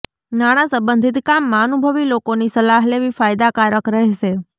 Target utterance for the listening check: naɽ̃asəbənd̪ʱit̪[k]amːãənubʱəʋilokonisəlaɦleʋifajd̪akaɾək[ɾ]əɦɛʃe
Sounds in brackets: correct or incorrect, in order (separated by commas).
correct, correct